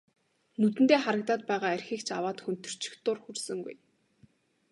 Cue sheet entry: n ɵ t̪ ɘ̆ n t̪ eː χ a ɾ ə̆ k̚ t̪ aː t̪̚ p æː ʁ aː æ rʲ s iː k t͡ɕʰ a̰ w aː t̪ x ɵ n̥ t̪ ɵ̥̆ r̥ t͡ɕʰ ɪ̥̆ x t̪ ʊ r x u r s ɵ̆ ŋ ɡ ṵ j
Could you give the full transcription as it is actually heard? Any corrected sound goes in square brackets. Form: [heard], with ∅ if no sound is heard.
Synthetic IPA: n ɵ t̪ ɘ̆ n t̪ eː χ a ɾ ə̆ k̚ t̪ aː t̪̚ p æː ʁ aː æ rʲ [x] iː k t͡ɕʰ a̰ w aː t̪ x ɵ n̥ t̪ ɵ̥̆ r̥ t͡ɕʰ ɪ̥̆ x t̪ ʊ r x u r s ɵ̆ ŋ ɡ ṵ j

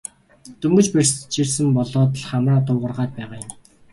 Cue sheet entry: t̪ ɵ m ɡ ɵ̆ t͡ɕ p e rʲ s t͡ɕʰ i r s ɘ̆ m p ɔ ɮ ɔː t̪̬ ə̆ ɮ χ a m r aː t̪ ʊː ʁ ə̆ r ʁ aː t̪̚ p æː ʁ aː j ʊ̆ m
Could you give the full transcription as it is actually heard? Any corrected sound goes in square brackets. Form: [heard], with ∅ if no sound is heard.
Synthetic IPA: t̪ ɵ m ɡ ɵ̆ t͡ɕ p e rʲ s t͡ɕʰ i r s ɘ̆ m p ɔ ɮ ɔː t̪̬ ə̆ ɮ χ a m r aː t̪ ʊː ʁ ə̆ r ʁ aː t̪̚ p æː ʁ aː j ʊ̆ m

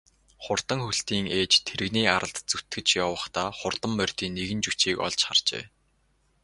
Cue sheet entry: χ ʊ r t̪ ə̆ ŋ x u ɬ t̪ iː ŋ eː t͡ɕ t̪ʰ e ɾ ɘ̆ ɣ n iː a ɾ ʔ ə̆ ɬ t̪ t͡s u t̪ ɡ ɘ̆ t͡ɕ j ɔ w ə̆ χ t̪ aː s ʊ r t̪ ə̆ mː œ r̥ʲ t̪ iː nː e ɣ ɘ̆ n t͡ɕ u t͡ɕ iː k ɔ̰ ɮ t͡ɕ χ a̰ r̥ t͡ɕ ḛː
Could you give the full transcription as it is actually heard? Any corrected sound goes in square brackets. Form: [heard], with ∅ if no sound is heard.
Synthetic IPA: χ ʊ r t̪ ə̆ ŋ x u ɬ t̪ iː ŋ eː t͡ɕ t̪ʰ e ɾ ɘ̆ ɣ n iː a ɾ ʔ ə̆ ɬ t̪ t͡s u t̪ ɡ ɘ̆ t͡ɕ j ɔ w ə̆ χ t̪ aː [χ] ʊ r t̪ ə̆ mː œ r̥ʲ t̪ iː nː e ɣ ɘ̆ n t͡ɕ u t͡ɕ iː k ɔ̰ ɮ t͡ɕ χ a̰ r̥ t͡ɕ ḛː

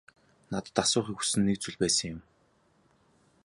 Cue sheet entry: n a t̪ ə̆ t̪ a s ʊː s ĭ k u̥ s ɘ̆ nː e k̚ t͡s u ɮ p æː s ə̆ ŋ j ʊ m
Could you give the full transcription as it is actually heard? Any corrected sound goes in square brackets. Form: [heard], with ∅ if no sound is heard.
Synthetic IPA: n a t̪ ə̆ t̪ a s ʊː [χ] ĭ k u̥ s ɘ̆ nː e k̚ t͡s u ɮ p æː s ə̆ ŋ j ʊ m

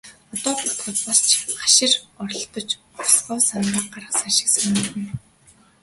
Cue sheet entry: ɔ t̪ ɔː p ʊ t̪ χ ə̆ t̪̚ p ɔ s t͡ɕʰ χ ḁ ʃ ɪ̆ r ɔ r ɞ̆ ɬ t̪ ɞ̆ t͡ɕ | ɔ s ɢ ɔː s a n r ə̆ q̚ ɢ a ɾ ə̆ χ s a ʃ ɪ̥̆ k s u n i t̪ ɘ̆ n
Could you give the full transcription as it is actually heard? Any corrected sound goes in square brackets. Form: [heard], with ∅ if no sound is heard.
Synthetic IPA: ɔ t̪ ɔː p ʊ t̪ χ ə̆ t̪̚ p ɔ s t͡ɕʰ χ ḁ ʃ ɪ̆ r ɔ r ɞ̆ ɬ t̪ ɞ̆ t͡ɕ | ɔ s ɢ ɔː s a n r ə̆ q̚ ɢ a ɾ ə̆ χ s a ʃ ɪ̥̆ k s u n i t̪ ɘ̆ n

